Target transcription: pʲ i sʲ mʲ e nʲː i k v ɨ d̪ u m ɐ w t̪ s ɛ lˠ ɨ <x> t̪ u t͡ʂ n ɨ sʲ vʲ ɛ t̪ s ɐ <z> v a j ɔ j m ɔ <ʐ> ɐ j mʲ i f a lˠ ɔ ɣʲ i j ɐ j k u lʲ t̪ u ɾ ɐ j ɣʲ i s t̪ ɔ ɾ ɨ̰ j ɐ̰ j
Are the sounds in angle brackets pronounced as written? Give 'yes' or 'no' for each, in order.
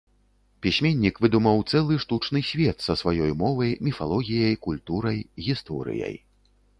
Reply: no, no, no

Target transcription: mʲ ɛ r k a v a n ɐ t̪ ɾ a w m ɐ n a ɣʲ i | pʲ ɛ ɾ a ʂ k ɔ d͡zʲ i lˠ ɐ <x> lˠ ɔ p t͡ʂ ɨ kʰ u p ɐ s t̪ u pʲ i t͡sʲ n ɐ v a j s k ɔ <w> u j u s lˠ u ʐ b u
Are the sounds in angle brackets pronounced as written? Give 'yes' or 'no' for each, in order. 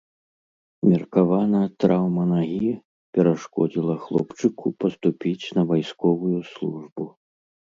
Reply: yes, no

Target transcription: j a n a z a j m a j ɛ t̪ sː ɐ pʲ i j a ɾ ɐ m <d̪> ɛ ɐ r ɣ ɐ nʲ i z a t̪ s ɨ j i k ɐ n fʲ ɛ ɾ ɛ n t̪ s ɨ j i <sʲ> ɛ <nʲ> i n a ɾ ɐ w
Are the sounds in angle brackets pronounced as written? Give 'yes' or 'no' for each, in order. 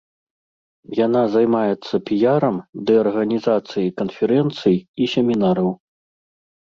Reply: yes, yes, no

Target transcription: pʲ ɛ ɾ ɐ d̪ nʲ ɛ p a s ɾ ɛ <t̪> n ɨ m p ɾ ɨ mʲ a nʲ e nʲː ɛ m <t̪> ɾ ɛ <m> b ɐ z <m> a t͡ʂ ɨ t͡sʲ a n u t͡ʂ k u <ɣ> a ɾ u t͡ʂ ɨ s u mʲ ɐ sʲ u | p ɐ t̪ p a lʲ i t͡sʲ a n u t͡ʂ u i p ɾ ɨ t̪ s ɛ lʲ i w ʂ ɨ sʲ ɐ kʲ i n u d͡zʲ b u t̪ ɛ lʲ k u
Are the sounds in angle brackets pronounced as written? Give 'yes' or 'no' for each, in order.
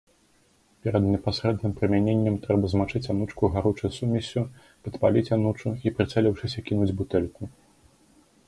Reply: no, yes, no, yes, yes

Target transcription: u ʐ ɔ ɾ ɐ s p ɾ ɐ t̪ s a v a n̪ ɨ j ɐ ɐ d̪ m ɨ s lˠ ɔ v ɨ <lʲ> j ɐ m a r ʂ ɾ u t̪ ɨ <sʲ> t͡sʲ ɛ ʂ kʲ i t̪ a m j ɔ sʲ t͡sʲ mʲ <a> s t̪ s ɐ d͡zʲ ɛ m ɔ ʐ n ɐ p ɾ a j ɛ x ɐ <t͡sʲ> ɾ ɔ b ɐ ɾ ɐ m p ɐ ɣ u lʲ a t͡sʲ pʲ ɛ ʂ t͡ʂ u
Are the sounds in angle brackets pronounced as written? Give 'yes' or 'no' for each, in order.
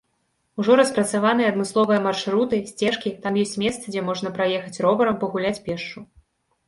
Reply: no, yes, no, yes

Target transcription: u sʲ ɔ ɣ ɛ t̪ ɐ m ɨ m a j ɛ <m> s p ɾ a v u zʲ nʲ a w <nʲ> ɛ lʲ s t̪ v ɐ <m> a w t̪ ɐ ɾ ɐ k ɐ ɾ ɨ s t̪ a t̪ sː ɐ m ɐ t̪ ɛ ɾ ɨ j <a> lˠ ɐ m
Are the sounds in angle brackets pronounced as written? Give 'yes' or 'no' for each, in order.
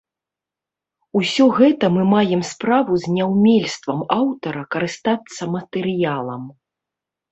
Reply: yes, no, yes, yes

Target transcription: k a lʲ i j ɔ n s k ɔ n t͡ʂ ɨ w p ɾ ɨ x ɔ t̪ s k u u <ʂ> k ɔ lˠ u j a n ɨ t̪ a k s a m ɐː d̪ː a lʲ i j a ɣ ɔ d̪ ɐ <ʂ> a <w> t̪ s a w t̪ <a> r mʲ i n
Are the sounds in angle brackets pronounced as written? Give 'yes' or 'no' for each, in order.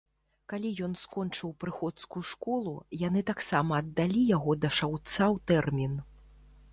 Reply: yes, yes, yes, no

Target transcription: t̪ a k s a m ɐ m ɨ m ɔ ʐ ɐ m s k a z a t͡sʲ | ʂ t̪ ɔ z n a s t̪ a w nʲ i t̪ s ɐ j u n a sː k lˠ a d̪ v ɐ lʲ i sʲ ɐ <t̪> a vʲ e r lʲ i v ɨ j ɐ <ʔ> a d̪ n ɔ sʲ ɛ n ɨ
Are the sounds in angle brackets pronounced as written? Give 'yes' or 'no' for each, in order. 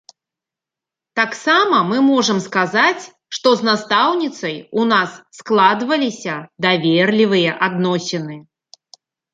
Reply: no, yes

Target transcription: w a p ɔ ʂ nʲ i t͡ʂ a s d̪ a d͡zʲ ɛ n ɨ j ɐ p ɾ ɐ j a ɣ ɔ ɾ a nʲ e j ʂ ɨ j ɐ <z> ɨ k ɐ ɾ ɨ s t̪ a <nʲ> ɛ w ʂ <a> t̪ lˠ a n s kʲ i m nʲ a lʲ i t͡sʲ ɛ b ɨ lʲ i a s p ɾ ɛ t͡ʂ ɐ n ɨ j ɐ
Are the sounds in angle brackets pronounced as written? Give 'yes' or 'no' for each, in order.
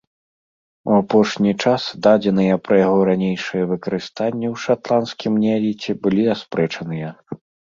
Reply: no, no, yes

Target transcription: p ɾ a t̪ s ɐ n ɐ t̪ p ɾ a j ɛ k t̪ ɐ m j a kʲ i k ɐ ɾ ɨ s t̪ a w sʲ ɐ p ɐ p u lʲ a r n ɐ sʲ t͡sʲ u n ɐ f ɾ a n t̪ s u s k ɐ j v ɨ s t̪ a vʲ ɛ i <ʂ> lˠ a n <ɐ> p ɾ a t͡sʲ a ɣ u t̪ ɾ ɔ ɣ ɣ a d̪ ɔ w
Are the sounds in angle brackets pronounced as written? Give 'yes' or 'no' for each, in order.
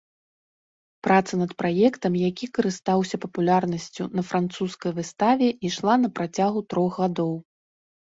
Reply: yes, yes

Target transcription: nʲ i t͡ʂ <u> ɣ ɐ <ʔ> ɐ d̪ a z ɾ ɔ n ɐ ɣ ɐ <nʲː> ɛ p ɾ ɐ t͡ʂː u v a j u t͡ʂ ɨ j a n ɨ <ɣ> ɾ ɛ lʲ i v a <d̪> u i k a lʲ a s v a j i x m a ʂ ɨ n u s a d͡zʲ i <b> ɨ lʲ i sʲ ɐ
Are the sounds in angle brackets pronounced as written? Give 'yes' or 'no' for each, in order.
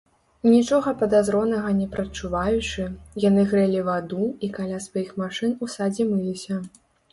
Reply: no, no, no, yes, yes, no

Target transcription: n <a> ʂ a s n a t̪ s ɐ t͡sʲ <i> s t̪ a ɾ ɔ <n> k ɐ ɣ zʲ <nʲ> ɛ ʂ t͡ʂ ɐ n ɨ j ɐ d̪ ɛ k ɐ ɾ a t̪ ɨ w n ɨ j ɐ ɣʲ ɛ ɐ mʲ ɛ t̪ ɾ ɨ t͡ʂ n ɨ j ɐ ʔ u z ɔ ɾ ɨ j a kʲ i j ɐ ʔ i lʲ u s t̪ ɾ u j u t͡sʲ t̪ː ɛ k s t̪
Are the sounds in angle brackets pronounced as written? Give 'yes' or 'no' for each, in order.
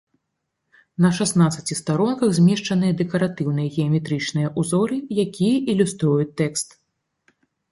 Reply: no, yes, yes, no

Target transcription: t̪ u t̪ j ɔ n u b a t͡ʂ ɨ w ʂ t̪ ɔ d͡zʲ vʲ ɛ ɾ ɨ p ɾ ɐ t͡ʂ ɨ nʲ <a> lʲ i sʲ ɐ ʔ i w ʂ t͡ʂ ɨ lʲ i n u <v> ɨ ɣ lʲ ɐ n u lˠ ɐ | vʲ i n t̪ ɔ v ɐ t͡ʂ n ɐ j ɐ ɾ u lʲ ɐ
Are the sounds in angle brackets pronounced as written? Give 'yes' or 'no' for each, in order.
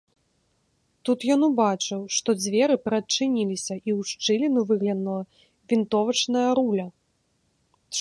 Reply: no, yes

